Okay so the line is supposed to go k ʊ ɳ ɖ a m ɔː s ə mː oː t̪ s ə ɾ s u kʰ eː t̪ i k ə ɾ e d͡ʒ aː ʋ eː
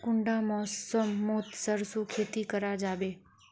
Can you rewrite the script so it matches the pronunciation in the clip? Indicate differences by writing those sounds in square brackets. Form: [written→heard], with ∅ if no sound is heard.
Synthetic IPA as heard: k ʊ ɳ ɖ a m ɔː s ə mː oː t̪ s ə ɾ s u kʰ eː t̪ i k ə ɾ [e→a] d͡ʒ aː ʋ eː